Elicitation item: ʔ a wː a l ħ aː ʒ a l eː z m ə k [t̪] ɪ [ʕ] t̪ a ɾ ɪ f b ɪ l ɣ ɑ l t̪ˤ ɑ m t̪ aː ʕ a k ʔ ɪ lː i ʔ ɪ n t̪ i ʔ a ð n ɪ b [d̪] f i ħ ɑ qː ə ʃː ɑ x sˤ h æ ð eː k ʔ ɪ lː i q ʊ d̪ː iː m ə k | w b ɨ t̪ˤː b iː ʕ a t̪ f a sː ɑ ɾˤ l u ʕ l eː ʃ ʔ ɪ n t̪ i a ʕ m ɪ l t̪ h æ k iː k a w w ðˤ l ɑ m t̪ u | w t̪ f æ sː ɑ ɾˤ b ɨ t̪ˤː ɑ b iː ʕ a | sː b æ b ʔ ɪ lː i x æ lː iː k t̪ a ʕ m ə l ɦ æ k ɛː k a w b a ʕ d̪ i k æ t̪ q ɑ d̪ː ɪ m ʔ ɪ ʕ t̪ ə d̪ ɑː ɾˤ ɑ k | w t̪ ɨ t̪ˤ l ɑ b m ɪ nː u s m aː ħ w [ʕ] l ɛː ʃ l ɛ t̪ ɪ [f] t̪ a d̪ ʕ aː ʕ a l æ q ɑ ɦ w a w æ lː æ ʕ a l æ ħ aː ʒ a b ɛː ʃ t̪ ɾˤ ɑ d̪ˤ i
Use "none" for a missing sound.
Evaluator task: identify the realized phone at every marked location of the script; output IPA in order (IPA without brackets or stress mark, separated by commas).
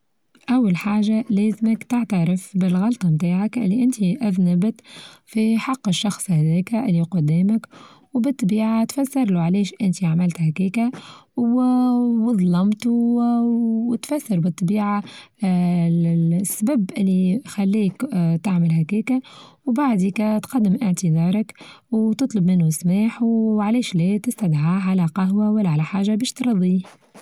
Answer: t̪, ʕ, t̪, ʕ, s